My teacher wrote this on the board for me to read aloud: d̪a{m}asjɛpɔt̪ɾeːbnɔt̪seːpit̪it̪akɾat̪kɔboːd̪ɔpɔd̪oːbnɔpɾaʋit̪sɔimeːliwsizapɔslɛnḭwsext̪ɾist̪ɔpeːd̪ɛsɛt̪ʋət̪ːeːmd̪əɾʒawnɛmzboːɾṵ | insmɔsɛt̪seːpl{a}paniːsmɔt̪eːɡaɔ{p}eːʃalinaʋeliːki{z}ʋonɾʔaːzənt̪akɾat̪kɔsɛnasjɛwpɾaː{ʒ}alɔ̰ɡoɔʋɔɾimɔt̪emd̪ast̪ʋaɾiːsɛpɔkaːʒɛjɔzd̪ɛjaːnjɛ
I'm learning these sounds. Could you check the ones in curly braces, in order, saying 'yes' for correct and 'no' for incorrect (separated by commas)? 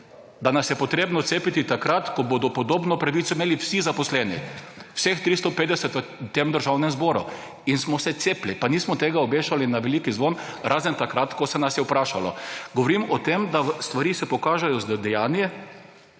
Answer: no, no, no, yes, no